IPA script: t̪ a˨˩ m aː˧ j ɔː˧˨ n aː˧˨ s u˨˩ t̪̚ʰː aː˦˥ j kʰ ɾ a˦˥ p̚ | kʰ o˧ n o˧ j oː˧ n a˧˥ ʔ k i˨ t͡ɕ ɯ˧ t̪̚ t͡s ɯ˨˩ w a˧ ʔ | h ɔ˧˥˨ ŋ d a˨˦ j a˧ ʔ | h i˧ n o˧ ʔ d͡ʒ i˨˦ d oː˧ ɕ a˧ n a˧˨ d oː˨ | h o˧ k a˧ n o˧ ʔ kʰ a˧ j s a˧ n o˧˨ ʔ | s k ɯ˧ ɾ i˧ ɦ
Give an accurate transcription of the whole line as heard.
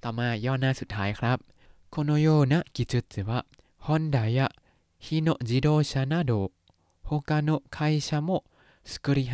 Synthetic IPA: t̪ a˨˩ m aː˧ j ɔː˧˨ n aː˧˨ s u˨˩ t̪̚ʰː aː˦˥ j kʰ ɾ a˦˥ p̚ | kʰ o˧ n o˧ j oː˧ n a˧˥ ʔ k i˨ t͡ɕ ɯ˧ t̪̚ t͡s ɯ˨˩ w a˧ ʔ | h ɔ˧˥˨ n d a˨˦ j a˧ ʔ | h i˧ n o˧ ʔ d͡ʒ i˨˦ d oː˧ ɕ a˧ n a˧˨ d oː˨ | h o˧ k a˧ n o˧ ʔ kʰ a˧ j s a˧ m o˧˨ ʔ | s k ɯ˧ ɾ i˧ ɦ